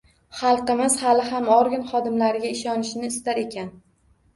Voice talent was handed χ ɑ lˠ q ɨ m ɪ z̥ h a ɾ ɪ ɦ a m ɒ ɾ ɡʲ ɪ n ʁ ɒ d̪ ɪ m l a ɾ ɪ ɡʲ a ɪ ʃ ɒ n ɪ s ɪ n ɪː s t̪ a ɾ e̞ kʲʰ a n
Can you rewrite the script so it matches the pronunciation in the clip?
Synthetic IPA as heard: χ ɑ lˠ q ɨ m ɪ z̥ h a l ɪ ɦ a m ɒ ɾ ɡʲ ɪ n χ ɒ d̪ ɪ m l a ɾ ɪ ɡʲ a ɪ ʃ ɒ n ɪ ʃ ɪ n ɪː s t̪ a ɾ e̞ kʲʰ a n